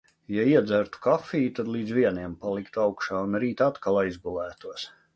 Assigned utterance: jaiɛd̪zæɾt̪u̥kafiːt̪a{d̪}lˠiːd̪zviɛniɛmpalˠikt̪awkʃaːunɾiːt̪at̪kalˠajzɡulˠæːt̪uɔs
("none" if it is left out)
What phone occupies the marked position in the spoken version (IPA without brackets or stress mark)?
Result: d̪